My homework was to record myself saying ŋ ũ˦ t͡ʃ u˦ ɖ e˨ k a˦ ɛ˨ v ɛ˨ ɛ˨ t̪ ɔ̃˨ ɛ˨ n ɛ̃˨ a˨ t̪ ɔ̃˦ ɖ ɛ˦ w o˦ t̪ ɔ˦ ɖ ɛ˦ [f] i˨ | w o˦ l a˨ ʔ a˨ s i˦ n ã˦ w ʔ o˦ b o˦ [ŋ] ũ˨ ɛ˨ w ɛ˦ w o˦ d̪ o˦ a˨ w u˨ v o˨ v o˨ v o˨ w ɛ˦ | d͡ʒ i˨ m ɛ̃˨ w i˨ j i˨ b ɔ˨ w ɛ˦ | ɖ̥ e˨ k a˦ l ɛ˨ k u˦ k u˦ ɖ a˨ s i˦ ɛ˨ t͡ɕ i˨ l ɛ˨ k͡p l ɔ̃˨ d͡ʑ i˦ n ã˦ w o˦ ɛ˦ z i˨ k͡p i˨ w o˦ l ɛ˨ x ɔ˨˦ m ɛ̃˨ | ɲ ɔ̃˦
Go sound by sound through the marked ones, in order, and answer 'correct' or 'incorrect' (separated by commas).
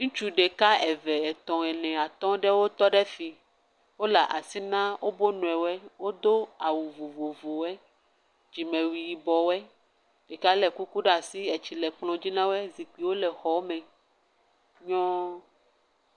correct, incorrect